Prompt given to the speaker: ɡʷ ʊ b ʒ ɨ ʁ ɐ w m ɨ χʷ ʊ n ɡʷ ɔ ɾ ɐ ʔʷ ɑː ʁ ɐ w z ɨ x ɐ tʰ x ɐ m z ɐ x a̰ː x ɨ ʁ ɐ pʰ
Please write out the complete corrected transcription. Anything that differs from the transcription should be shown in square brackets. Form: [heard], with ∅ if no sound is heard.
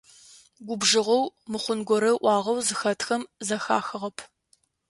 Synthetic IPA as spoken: ɡʷ ʊ b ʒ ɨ ʁ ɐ w m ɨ χʷ ʊ n ɡʷ ɔ ɾ ɐ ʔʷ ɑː ʁ ɐ w z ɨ x ɐ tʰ x ɐ m z ɐ x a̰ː x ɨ ʁ ɐ pʰ